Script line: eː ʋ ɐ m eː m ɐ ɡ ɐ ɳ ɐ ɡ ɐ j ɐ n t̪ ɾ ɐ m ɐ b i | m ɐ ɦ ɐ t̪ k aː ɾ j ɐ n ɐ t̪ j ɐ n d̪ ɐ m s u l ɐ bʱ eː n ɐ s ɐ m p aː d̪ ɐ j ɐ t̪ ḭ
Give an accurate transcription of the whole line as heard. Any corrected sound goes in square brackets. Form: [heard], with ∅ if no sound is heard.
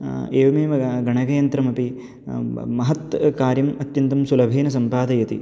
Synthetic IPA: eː ʋ ɐ m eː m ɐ ɡ ɐ ɳ ɐ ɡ ɐ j ɐ n t̪ ɾ ɐ m ɐ [p] i | m ɐ ɦ ɐ t̪ k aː ɾ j ɐ [m] ɐ t̪ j ɐ n [t̪] ɐ m s u l ɐ bʱ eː n ɐ s ɐ m p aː d̪ ɐ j ɐ t̪ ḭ